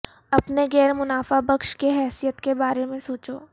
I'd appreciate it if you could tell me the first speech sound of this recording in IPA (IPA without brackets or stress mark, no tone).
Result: ɐ